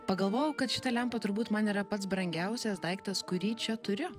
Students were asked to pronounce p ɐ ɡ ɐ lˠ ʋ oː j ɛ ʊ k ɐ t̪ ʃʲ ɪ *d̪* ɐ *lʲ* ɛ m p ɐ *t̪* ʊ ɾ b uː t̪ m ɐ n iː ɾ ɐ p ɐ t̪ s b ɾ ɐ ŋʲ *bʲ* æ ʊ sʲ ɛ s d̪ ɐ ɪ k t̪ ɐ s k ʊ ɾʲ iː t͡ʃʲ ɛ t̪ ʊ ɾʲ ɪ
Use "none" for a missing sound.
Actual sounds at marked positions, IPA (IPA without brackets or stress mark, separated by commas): t̪, lʲ, t̪, ɡʲ